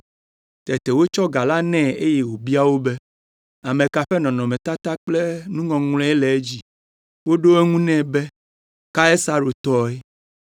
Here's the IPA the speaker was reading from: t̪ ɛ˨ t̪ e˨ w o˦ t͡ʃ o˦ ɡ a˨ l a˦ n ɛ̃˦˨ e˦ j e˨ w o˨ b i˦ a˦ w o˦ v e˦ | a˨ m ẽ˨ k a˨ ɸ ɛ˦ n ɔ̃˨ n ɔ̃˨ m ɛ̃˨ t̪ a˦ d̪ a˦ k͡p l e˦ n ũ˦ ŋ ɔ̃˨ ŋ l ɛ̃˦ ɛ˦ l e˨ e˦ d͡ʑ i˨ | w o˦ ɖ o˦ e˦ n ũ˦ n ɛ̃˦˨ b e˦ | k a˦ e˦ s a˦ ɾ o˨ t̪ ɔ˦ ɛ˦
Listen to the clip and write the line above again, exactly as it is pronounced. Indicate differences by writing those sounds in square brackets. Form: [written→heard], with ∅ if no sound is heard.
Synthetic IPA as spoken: t̪ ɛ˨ t̪ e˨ w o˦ t͡ʃ [o˦→ɔ˦] ɡ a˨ l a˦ n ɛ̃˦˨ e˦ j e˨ w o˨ b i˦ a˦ w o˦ [v→b] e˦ | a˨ m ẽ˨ k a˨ ɸ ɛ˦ n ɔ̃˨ n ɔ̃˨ m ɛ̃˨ t̪ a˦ [d̪→t̪] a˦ k͡p l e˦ n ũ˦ ŋ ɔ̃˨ ŋ l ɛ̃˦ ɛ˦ l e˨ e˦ d͡ʑ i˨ | w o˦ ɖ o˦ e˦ [n→ŋ] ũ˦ n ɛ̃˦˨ b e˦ | k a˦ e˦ s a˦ ɾ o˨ t̪ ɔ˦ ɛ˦